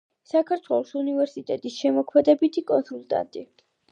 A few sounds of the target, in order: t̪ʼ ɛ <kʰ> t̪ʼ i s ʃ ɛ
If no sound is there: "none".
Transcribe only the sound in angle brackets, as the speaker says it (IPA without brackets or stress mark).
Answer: none